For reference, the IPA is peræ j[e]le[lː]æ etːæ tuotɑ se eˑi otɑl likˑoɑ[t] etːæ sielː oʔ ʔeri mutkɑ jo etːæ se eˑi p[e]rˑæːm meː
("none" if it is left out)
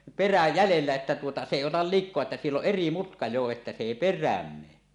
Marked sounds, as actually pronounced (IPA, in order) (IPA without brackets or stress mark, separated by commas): æ, lː, none, e